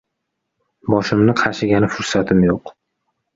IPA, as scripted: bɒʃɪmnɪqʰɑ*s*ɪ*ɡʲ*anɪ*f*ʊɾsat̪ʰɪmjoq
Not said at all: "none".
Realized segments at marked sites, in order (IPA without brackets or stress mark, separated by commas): ʃ, ɡʲ, f